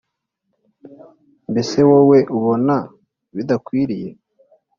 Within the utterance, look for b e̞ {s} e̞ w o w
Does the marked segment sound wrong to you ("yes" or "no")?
no